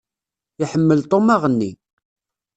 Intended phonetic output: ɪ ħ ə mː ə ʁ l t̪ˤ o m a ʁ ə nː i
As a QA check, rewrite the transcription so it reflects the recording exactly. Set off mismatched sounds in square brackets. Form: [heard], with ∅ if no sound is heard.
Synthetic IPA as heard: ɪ ħ ə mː ə [∅] l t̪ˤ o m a ʁ ə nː i